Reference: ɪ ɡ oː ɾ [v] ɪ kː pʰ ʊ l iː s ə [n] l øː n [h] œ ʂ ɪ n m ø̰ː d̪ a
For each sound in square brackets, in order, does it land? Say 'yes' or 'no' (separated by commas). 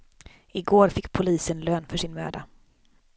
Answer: no, yes, no